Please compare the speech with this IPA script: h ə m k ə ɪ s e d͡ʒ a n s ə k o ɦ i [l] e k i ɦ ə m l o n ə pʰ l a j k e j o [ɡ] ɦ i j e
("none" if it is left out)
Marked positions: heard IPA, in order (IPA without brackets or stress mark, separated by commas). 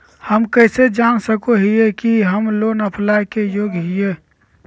none, ɡ